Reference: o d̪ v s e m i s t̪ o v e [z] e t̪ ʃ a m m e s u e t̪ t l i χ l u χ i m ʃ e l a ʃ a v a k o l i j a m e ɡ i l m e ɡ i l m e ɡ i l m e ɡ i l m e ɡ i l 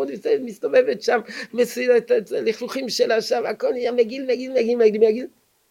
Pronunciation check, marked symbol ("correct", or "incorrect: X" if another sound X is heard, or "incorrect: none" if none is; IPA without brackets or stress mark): incorrect: v